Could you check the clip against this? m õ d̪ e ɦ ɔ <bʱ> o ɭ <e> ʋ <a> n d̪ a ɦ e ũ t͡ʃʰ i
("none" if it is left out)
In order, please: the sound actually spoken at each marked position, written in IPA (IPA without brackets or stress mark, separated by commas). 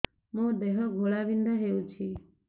ɡʱ, a, i